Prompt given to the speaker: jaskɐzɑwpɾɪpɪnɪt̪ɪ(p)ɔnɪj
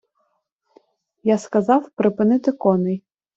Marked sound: incorrect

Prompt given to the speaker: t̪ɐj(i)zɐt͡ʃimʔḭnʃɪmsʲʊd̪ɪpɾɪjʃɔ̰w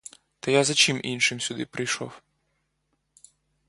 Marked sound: incorrect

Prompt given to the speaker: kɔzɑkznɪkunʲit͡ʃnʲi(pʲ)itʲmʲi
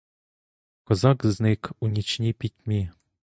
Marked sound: correct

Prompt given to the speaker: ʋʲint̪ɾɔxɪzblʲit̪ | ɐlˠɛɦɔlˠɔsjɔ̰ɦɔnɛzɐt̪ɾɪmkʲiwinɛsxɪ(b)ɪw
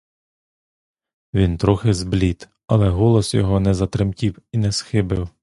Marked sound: correct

